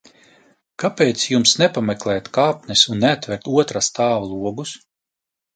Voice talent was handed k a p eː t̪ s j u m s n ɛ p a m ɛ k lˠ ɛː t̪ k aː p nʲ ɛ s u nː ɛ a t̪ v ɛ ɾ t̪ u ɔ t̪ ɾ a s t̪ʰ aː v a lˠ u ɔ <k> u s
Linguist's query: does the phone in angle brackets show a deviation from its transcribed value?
yes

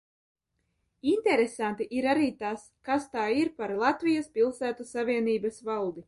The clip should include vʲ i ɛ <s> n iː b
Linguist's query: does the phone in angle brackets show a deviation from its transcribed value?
yes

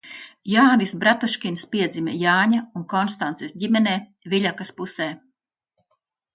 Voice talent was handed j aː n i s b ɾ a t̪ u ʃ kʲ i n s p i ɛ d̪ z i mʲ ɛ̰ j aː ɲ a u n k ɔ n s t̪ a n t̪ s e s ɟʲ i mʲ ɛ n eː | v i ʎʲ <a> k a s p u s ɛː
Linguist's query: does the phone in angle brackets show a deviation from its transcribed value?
no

